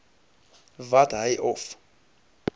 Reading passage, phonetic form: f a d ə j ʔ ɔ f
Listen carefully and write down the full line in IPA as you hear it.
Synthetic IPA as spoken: v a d a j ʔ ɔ f